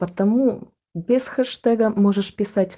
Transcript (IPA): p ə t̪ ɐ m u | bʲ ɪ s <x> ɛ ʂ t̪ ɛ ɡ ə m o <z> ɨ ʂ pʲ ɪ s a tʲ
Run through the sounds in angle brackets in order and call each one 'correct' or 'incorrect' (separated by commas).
correct, incorrect